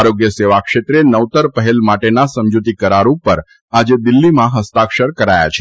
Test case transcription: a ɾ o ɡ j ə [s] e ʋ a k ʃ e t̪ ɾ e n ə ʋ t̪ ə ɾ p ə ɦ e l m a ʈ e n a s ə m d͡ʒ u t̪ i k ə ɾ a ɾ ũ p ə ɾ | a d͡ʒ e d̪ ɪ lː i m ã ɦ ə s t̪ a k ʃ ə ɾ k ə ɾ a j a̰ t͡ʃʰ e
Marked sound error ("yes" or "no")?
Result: no